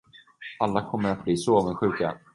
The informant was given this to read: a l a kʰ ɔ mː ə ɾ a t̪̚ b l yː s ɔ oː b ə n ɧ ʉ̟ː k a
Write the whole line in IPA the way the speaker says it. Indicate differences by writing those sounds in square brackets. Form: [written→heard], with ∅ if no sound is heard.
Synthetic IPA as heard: a [l→lː] a kʰ ɔ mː ə ɾ a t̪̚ b l [yː→iː] s ɔ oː [b→v] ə n ɧ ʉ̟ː k a